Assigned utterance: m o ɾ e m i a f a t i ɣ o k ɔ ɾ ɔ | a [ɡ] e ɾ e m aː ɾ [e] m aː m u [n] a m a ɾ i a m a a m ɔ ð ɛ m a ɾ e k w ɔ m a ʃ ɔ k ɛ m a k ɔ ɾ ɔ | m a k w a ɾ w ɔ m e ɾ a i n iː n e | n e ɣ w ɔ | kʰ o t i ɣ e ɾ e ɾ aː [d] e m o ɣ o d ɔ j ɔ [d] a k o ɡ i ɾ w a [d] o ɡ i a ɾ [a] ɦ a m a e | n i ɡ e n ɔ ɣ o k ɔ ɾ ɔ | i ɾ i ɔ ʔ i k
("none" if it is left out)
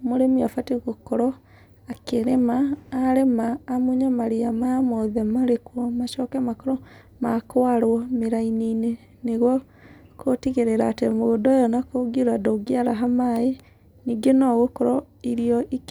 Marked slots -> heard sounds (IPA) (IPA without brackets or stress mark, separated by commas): k, e, ɲ, t, n, d, a